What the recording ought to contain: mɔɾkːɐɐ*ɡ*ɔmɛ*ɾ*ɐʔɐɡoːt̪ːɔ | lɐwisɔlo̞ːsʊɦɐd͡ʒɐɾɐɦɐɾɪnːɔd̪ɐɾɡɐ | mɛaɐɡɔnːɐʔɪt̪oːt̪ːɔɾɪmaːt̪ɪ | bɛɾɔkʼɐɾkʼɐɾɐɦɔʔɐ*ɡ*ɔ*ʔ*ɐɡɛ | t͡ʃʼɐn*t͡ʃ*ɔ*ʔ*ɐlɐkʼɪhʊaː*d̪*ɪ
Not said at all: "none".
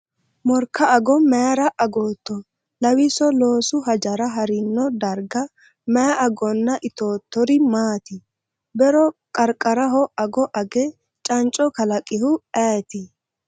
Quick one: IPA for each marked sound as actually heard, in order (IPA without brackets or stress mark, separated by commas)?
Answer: ɡ, ɾ, ɡ, ʔ, t͡ʃʼ, k, t̪